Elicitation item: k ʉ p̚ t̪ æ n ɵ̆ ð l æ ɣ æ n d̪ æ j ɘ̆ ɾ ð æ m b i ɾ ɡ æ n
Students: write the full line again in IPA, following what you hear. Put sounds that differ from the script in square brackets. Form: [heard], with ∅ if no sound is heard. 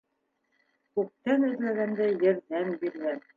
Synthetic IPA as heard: k ʉ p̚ t̪ æ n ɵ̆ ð l æ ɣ æ n d̪ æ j ɘ̆ ɾ ð æ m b i ɾ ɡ æ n